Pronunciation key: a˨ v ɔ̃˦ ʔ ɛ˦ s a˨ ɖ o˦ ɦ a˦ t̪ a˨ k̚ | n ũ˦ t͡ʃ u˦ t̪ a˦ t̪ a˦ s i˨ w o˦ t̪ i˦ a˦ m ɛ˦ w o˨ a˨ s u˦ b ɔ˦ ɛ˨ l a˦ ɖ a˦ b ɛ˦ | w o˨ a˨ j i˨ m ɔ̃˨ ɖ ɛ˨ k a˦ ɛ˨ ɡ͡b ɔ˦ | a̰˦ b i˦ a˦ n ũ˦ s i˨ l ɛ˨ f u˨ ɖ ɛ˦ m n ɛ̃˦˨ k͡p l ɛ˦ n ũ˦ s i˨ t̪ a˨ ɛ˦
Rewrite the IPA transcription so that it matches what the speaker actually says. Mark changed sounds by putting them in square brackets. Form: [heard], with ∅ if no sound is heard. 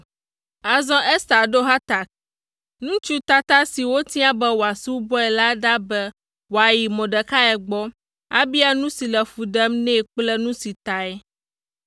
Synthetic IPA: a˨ [z] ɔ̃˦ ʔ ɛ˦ s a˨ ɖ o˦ ɦ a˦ t̪ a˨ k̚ | n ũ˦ t͡ʃ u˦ t̪ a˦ t̪ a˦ s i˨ w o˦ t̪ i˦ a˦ [b] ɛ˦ w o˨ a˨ s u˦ b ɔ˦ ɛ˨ l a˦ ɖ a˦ b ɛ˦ | w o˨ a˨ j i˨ m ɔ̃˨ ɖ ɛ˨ k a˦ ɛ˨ ɡ͡b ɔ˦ | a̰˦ b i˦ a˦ n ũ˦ s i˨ l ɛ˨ f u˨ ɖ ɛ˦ m n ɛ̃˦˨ k͡p l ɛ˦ n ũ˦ s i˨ t̪ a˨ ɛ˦